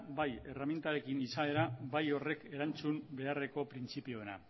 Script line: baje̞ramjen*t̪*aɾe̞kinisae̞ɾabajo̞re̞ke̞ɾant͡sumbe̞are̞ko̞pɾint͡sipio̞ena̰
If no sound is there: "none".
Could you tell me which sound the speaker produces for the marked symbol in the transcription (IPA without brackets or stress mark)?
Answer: t̪